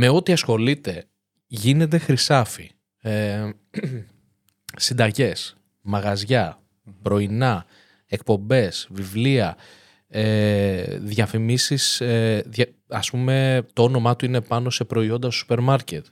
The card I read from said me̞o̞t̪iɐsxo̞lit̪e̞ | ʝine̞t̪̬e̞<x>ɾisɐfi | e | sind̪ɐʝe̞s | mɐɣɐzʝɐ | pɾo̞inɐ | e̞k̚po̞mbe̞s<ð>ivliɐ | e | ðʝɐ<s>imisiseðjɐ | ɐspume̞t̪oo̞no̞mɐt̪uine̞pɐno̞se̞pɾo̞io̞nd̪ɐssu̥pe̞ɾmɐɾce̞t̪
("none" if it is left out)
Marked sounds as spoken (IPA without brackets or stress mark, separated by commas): x, v, f